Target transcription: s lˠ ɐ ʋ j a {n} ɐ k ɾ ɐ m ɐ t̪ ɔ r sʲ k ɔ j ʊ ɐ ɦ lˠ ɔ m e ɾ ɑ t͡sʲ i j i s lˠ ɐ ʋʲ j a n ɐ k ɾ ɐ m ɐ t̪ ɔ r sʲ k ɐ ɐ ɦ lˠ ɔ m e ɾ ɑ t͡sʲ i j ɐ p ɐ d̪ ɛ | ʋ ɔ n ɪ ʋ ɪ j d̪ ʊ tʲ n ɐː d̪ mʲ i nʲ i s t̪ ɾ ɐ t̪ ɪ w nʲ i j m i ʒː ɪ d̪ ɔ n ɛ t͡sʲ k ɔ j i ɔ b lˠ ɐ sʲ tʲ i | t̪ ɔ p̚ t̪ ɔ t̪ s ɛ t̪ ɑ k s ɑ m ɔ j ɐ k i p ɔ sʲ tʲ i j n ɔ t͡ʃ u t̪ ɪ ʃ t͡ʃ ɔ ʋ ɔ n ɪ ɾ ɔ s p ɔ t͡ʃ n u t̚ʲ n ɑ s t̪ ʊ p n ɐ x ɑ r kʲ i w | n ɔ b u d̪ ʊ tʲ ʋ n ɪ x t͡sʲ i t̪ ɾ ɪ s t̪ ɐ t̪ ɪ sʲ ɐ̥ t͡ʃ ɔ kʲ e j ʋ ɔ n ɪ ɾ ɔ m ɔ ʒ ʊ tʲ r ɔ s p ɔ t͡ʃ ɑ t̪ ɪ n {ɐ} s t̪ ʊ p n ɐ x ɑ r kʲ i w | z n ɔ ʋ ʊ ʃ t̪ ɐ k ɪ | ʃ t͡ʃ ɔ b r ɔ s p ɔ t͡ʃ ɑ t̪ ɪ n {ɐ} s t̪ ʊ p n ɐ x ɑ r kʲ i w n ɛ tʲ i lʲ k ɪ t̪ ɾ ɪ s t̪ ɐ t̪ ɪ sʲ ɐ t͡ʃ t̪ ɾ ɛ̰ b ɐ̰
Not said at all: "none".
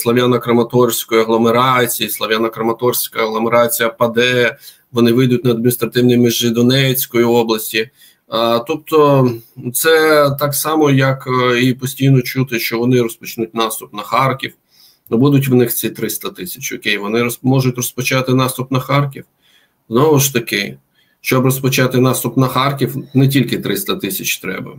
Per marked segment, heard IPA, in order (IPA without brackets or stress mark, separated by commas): n, ɑ, ɑ